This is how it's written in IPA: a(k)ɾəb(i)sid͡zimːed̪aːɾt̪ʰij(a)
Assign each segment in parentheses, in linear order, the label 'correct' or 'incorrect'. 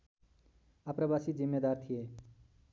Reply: incorrect: p, incorrect: a, incorrect: e

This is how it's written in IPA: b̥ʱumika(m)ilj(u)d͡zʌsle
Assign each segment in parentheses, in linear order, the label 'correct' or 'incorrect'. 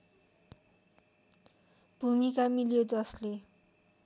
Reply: correct, incorrect: o

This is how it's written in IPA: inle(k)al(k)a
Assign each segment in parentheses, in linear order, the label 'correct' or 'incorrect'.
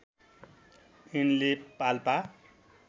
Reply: incorrect: p, incorrect: p

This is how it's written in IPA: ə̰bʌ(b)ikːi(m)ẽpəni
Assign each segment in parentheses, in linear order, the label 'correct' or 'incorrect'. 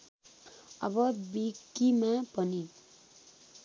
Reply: correct, correct

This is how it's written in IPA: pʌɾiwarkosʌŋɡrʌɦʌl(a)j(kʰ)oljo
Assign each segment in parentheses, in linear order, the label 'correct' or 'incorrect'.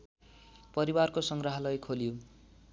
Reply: incorrect: ʌ, correct

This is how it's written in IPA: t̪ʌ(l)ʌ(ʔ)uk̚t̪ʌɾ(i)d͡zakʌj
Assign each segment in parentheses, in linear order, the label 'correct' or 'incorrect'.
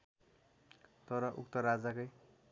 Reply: incorrect: ɾ, correct, incorrect: a

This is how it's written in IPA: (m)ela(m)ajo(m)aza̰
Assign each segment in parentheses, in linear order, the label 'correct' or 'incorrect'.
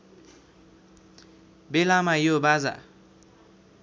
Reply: incorrect: b, correct, incorrect: b

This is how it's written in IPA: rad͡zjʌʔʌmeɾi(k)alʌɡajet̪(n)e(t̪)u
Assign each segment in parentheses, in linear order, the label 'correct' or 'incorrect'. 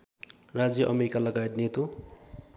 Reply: correct, correct, correct

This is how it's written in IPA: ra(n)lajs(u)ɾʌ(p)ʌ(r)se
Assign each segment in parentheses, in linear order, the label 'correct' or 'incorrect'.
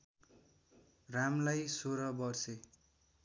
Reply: incorrect: m, incorrect: o, incorrect: b, correct

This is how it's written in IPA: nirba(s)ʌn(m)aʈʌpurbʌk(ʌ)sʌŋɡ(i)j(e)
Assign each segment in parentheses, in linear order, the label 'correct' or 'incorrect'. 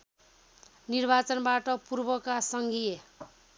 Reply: incorrect: t͡s, incorrect: b, incorrect: a, correct, correct

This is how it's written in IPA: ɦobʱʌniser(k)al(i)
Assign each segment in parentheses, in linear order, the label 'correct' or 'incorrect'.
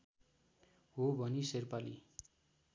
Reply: incorrect: p, correct

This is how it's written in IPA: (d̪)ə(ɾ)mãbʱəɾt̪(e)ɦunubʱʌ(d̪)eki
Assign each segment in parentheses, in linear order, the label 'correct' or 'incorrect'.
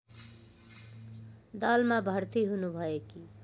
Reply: correct, incorrect: l, incorrect: i, incorrect: none

